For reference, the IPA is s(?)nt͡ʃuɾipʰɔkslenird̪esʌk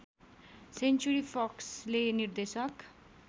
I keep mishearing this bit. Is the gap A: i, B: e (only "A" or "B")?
B